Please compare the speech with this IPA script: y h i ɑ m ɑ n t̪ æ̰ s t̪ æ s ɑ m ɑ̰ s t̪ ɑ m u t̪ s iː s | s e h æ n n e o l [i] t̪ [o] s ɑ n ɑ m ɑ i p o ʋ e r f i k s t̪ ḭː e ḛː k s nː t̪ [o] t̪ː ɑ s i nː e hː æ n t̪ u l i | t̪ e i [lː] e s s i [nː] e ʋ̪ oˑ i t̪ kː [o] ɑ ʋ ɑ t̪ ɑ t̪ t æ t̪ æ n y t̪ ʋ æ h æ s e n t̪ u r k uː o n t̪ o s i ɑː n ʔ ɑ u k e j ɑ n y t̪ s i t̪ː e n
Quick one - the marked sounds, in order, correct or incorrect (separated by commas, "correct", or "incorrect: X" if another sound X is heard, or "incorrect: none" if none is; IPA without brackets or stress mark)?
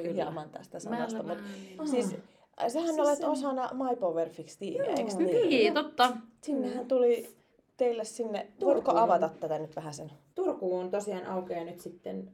incorrect: e, correct, correct, correct, correct, correct